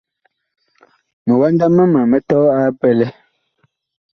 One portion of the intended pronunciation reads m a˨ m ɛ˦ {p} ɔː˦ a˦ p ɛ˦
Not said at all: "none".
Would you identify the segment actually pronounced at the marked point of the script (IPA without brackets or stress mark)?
t